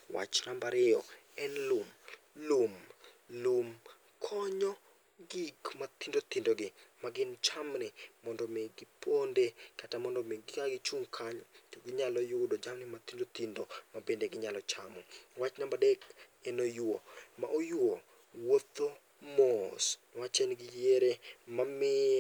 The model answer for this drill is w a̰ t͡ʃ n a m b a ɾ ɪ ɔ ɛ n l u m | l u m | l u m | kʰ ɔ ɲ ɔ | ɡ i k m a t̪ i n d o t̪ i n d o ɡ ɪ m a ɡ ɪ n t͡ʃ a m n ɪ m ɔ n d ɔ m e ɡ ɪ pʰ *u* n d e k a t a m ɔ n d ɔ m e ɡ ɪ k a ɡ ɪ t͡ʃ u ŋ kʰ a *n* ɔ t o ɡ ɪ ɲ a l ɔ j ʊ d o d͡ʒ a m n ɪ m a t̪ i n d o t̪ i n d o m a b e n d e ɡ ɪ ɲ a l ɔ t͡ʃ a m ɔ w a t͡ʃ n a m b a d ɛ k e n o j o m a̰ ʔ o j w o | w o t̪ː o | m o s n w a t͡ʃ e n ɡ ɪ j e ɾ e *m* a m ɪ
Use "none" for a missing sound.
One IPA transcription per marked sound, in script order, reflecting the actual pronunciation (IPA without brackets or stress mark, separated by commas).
o, ɲ, m